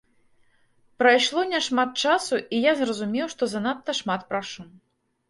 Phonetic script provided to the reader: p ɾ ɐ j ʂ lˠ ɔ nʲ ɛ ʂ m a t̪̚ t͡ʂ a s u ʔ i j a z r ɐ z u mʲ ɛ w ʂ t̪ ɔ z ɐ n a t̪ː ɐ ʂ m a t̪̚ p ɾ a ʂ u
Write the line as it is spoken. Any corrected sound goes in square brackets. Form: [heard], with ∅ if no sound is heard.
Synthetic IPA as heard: p ɾ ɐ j ʂ lˠ ɔ nʲ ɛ ʂ m a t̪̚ t͡ʂ a s u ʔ i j a z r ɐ z u mʲ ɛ w ʂ t̪ ɔ z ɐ n a t̪ː ɐ ʂ m a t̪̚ p ɾ a ʂ u